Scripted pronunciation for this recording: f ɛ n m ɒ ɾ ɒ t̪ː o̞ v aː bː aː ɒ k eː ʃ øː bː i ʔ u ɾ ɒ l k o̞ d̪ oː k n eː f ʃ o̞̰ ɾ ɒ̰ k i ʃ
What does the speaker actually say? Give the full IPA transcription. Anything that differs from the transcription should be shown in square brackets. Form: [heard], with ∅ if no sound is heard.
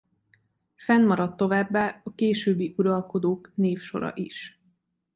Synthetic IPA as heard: f ɛ n m ɒ ɾ ɒ t̪ː o̞ v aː bː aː ɒ k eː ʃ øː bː i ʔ u ɾ ɒ l k o̞ d̪ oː k n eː f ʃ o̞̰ ɾ ɒ̰ [ʔ] i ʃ